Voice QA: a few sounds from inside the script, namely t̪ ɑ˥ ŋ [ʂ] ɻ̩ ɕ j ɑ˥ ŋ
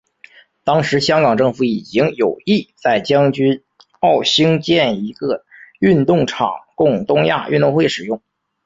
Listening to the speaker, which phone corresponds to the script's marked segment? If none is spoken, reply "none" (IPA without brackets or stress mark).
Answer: ʂ